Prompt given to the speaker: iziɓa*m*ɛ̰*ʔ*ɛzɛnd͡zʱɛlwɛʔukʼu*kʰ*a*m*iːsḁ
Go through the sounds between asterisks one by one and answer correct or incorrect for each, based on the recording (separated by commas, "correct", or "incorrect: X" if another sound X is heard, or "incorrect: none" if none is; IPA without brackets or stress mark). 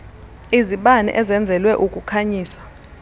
incorrect: n, correct, correct, incorrect: ɲ